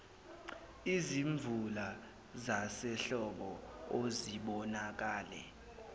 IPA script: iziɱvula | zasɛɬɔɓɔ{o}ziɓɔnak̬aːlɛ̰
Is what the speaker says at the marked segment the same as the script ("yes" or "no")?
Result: yes